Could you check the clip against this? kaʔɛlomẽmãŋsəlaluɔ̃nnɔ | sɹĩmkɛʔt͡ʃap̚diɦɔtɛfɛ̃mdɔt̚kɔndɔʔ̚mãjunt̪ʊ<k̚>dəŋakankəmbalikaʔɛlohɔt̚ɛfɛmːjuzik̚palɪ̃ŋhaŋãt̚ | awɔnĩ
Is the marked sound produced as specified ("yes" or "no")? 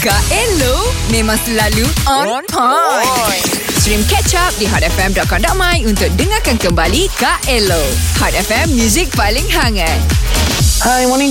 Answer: yes